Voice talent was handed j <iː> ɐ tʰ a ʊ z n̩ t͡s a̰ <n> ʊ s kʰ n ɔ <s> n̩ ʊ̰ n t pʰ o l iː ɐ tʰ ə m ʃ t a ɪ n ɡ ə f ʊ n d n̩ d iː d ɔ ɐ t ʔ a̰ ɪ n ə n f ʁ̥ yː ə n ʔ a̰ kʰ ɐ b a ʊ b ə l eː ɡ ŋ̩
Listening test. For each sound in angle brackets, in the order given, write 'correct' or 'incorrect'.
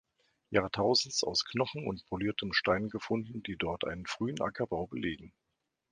incorrect: aː, incorrect: none, incorrect: χ

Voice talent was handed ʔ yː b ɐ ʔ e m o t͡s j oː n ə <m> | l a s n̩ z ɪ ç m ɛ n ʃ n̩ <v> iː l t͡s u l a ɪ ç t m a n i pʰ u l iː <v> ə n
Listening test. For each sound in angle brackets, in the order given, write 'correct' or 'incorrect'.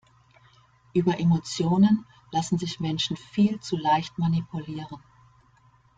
incorrect: n, incorrect: f, incorrect: ʁ

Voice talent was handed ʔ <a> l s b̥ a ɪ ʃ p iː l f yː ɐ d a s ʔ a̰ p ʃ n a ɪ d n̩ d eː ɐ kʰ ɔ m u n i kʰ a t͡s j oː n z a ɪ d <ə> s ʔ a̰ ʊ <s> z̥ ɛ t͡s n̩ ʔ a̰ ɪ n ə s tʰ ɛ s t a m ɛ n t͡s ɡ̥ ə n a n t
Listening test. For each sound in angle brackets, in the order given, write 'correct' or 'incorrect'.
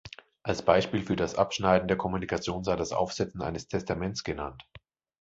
correct, incorrect: a, incorrect: f

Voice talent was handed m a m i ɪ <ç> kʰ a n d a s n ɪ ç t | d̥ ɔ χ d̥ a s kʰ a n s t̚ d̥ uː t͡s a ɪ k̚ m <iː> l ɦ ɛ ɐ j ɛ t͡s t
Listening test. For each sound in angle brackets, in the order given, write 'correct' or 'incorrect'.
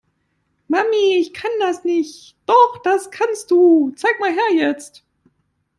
correct, incorrect: aː

